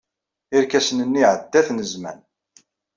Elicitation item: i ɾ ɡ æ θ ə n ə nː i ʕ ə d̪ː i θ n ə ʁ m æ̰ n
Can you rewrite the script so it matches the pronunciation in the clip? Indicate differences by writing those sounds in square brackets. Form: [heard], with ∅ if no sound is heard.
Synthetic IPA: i ɾ [k] æ [s] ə n ə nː i ʕ ə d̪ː [æ] θ n ə [z] m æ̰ n